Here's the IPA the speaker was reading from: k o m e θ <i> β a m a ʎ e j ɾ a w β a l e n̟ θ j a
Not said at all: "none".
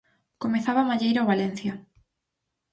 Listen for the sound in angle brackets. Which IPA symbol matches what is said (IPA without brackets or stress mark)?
a